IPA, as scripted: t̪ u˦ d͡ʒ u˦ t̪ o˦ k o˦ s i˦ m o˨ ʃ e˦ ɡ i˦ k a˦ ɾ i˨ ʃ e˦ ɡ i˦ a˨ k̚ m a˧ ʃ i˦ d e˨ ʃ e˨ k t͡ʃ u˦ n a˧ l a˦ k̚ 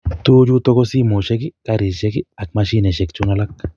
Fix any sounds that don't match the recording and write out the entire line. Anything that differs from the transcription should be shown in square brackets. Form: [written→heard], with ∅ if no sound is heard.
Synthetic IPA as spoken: t̪ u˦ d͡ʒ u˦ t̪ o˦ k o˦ s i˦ m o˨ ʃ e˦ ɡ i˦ k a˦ ɾ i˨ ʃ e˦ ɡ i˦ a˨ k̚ m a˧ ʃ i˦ [d→n] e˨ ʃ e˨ k t͡ʃ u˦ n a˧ l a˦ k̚